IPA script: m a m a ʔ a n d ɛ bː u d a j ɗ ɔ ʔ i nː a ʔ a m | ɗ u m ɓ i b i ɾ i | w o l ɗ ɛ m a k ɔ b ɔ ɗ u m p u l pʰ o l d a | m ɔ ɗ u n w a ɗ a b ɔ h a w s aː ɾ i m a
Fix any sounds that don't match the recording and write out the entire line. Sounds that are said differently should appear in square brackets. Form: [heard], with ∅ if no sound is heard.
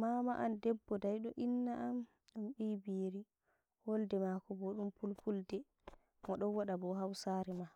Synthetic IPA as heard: m a m a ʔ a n d ɛ bː [ɔ] d a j ɗ ɔ ʔ i nː a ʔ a m | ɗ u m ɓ i b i ɾ i | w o l [d] ɛ m a k ɔ b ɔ ɗ u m p u l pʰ [u] l d [ɛ] | m ɔ ɗ [ɔ] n w a ɗ a b ɔ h a w s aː ɾ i m a